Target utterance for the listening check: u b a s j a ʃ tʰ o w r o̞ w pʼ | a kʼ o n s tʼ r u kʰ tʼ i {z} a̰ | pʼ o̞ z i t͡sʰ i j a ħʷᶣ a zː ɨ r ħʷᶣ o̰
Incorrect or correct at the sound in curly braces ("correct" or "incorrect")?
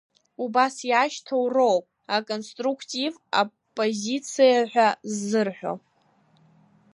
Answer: incorrect